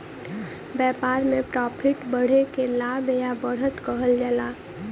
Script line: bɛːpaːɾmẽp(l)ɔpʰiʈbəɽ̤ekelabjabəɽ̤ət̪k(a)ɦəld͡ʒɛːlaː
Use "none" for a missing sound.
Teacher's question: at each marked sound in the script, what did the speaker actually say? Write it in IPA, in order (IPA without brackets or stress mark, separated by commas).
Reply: ɾ, ə